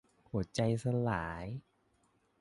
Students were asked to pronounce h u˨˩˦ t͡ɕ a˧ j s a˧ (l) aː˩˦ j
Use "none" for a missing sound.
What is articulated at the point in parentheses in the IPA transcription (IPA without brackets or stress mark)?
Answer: l